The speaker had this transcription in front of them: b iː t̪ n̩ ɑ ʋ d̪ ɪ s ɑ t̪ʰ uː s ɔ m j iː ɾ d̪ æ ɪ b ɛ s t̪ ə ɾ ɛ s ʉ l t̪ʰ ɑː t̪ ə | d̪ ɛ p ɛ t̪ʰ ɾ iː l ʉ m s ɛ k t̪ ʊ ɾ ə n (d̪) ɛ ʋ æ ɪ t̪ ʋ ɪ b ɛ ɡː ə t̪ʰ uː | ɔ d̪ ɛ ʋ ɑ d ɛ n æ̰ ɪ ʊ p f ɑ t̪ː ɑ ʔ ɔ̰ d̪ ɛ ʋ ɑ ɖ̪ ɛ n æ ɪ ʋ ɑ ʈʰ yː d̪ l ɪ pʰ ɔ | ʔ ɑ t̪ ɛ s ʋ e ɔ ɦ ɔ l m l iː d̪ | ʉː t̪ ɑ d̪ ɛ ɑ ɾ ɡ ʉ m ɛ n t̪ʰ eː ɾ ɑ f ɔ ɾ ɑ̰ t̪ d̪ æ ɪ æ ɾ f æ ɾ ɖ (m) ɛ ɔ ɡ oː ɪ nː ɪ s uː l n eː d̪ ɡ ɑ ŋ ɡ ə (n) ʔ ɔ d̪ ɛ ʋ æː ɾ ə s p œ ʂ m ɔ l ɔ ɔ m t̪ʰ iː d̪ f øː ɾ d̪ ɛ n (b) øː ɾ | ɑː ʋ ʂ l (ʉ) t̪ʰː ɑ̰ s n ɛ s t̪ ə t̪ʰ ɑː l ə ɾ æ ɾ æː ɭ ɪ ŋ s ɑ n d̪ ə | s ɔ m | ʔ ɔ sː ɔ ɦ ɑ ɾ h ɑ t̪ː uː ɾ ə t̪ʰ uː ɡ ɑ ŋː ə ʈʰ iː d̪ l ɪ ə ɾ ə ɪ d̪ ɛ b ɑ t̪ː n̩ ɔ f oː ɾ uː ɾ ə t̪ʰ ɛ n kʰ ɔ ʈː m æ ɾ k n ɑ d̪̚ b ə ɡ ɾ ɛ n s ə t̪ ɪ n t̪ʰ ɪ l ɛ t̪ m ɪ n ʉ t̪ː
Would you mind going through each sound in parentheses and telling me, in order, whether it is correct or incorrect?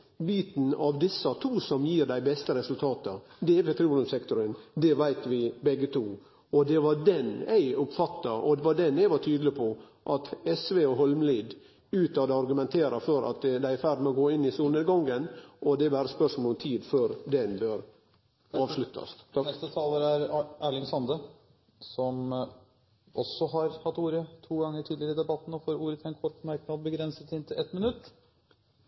correct, correct, correct, correct, correct

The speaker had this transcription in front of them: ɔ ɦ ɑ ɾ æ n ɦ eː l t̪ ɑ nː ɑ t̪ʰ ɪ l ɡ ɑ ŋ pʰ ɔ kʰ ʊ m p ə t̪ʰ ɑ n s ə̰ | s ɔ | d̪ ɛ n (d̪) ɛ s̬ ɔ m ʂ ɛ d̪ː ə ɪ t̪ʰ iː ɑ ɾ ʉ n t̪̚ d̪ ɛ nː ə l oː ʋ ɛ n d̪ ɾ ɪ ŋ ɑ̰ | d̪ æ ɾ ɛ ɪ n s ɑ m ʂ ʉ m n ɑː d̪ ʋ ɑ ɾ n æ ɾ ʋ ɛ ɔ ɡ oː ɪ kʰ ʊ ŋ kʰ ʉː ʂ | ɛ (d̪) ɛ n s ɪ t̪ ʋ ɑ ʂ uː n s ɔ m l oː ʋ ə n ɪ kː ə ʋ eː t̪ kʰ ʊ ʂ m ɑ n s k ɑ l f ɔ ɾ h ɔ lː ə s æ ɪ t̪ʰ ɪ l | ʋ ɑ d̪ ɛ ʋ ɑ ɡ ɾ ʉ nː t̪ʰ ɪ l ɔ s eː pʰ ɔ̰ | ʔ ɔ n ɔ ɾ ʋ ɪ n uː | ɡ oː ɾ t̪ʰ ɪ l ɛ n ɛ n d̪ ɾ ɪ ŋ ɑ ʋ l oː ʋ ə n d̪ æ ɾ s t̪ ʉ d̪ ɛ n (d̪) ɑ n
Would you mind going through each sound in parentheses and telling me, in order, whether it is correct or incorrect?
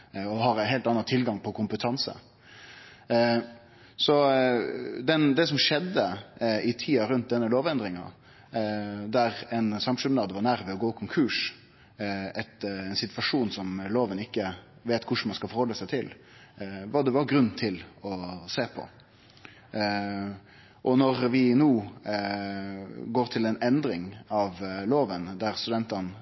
correct, incorrect: t̪, incorrect: t̪

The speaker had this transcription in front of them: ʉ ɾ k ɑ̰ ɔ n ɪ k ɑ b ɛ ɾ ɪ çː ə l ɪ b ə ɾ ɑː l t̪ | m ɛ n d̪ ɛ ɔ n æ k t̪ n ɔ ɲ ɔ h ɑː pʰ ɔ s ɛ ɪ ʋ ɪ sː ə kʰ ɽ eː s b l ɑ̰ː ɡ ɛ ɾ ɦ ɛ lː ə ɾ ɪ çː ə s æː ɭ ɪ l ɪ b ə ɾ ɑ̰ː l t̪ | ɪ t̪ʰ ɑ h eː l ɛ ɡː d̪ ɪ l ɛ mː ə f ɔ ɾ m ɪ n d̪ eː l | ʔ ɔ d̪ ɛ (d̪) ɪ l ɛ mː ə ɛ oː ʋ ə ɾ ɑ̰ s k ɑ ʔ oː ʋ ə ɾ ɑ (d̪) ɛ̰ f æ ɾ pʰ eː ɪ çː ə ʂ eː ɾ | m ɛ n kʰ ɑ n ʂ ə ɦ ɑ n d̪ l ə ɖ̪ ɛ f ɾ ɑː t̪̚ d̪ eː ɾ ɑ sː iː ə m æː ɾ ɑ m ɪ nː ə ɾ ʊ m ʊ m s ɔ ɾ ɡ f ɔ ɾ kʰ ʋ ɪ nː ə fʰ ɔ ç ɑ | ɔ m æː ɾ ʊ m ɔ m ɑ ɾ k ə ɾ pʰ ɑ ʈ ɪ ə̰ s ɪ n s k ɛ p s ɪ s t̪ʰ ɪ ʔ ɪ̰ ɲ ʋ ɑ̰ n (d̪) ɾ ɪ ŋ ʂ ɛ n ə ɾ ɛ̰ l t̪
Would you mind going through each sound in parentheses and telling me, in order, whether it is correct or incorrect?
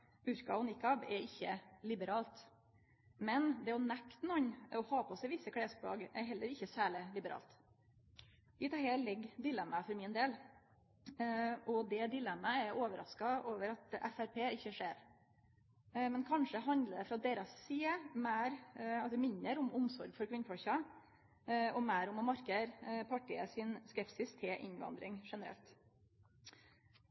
correct, incorrect: t̪, correct

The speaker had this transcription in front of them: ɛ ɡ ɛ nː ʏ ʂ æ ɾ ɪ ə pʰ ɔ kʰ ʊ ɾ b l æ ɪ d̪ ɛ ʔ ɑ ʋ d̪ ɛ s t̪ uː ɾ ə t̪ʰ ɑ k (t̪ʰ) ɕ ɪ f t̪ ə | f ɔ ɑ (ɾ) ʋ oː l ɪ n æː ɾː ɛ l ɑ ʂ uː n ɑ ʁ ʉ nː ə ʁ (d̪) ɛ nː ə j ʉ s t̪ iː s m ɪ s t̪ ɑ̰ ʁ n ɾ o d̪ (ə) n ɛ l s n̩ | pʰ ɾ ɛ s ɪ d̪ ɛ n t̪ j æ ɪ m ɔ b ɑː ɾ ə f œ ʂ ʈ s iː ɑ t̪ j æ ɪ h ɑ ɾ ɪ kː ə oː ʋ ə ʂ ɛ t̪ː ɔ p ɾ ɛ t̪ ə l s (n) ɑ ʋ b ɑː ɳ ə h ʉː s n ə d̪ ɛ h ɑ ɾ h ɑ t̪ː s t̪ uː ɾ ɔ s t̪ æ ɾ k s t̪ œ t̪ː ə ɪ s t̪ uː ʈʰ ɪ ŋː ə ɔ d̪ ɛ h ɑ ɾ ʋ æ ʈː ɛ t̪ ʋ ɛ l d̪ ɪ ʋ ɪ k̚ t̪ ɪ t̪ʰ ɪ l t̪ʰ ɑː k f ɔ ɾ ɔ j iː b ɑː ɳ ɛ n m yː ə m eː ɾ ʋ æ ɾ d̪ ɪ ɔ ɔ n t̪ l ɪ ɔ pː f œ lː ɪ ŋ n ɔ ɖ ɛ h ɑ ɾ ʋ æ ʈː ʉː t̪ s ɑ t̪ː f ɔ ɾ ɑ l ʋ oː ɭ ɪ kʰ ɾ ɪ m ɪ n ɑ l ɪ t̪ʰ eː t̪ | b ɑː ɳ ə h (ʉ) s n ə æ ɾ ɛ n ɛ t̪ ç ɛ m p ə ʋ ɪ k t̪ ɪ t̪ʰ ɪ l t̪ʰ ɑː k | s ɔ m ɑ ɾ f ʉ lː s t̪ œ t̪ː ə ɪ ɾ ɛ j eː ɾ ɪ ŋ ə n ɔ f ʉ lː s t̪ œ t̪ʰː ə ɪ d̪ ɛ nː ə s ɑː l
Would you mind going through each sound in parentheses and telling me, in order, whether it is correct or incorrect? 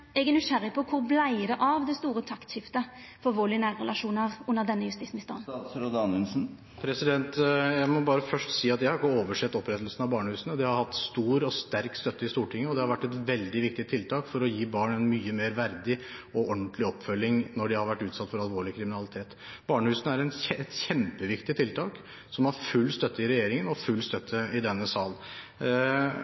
incorrect: t̪, incorrect: l, correct, incorrect: ɑ, correct, incorrect: ʉː

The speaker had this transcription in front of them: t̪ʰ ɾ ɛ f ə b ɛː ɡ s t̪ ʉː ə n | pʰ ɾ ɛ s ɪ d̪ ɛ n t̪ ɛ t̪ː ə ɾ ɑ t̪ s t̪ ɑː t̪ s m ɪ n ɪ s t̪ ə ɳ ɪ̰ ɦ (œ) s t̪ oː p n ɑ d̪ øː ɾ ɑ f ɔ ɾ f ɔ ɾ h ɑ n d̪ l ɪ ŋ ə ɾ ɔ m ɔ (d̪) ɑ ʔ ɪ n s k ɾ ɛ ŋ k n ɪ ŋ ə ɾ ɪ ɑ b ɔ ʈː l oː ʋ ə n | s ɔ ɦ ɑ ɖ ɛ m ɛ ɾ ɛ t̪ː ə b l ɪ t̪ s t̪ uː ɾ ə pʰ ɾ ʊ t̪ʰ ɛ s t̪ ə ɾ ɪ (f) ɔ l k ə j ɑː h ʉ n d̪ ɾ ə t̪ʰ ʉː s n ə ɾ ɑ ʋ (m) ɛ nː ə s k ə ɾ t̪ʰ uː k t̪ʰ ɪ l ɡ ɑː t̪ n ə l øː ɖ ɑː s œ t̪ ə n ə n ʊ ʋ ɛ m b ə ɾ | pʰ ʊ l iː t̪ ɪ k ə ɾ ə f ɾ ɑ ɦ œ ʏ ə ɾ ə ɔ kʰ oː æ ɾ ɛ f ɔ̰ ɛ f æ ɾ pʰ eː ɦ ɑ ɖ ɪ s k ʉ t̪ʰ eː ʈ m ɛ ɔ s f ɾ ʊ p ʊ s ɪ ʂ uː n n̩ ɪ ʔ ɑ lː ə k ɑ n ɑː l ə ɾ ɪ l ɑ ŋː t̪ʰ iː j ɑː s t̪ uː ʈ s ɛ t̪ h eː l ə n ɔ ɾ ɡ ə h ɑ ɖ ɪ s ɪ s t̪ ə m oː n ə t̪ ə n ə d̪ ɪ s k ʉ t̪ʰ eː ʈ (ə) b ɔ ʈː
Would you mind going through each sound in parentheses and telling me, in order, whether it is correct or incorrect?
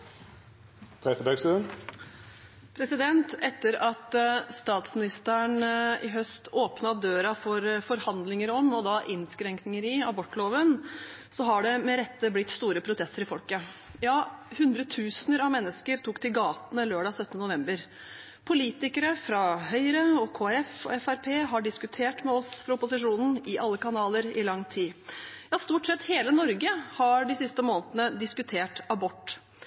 correct, correct, correct, correct, incorrect: ɑ

